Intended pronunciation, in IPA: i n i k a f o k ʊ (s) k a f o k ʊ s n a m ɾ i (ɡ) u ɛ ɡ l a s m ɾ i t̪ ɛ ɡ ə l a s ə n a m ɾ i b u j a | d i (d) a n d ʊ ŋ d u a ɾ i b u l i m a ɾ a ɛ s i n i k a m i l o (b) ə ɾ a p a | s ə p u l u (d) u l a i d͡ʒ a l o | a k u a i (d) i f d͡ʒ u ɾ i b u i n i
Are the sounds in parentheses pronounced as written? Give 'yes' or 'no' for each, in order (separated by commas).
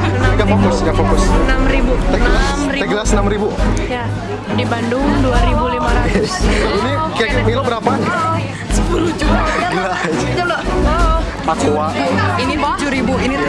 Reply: yes, no, no, yes, no, no